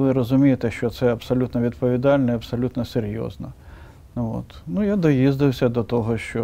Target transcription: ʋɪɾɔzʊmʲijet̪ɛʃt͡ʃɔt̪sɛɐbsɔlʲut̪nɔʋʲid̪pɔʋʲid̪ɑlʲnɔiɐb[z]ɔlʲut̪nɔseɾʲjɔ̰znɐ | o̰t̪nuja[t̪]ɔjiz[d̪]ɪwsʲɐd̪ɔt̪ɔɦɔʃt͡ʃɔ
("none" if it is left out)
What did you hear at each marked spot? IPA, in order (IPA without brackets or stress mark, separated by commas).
s, d̪, d̪